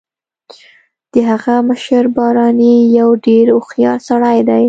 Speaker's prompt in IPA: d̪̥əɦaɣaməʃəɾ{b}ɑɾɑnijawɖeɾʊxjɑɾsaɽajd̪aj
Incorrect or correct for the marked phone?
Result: correct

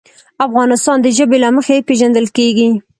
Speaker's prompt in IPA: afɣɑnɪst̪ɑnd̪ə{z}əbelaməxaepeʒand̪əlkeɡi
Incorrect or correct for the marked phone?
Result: incorrect: ʒ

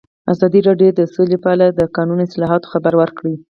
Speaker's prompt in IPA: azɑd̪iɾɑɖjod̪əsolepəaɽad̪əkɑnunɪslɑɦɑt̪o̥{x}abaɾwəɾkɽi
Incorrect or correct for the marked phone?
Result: correct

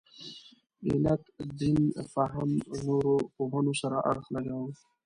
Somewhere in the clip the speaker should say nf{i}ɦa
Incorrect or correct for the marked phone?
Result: incorrect: a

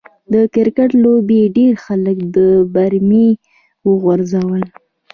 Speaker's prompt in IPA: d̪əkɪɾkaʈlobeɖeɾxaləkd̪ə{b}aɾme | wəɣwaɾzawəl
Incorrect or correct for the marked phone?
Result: correct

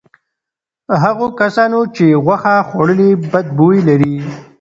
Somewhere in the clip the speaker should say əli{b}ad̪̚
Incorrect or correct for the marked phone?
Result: correct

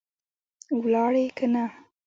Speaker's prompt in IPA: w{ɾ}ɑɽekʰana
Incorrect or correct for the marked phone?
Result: incorrect: l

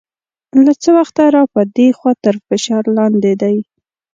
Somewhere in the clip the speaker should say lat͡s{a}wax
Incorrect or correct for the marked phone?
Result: incorrect: ə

